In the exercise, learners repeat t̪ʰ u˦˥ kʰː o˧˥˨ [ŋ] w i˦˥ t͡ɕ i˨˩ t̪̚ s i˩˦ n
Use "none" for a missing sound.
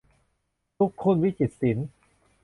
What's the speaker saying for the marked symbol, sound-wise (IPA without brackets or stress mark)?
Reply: n